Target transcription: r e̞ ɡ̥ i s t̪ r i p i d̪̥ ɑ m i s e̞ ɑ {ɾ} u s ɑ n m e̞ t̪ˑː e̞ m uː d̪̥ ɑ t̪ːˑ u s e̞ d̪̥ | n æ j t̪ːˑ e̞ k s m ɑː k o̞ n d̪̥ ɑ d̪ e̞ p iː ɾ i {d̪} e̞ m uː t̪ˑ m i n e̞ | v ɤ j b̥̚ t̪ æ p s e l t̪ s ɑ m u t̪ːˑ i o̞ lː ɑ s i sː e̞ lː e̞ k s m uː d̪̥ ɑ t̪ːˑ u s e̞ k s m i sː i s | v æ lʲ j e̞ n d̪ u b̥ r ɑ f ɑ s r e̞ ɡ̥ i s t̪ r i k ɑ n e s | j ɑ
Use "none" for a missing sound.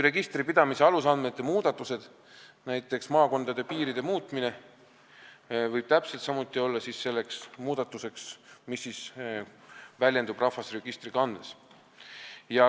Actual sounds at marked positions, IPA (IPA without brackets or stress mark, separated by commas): l, d̪